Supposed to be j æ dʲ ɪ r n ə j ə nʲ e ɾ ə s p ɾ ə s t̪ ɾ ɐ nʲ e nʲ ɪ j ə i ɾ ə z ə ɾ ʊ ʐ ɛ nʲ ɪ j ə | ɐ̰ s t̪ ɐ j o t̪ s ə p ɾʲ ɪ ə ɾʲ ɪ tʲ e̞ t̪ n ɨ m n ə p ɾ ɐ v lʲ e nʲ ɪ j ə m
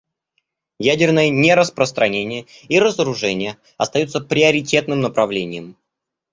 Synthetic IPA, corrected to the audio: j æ dʲ ɪ r n ə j ə nʲ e ɾ ə s p ɾ ə s t̪ ɾ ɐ nʲ e nʲ ɪ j ə i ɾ ə z ə ɾ ʊ ʐ ɛ nʲ ɪ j ə | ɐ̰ s t̪ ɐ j u t̪ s ə p ɾʲ ɪ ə ɾʲ ɪ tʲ e̞ t̪ n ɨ m n ə p ɾ ɐ v lʲ e nʲ ɪ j ə m